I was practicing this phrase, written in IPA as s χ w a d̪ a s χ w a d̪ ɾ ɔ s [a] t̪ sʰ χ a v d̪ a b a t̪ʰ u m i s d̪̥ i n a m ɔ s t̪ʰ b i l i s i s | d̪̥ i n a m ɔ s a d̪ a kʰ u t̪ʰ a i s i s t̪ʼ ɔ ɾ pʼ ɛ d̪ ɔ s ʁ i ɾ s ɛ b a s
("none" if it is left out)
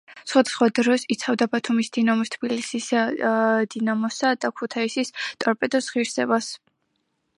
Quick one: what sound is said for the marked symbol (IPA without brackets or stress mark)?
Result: i